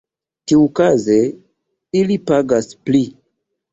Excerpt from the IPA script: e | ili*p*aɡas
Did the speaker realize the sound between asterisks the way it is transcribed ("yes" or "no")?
yes